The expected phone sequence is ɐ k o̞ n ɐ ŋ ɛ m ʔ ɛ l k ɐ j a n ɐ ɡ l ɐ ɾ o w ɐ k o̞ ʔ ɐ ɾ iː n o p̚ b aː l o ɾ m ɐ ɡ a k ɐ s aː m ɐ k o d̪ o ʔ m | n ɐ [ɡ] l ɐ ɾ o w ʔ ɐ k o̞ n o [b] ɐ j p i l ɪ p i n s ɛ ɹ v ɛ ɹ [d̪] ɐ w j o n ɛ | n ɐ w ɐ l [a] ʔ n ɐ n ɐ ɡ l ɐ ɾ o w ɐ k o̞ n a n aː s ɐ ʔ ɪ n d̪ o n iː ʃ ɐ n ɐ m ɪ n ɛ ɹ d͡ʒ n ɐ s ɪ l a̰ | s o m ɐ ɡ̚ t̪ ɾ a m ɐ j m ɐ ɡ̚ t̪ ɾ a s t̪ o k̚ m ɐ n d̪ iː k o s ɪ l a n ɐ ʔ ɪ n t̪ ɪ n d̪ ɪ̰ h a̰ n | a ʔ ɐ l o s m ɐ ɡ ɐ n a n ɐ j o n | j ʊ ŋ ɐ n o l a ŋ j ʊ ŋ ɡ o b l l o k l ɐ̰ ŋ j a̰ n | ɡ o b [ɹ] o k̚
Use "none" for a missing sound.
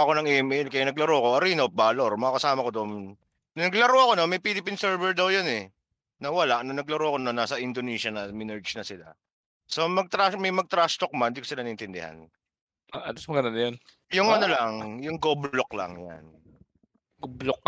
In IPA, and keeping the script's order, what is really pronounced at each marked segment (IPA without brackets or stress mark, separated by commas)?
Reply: ɡ, m, d̪, a, l